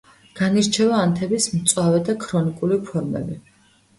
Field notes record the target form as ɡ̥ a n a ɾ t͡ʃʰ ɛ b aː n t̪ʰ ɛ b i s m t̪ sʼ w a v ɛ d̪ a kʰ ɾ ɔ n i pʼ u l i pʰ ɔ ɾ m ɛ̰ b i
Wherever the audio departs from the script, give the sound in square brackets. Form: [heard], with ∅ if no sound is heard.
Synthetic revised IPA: ɡ̥ a n [i] ɾ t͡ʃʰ ɛ [v] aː n t̪ʰ ɛ b i s m t̪ sʼ w a v ɛ d̪ a kʰ ɾ ɔ n i [kʼ] u l i pʰ ɔ ɾ m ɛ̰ b i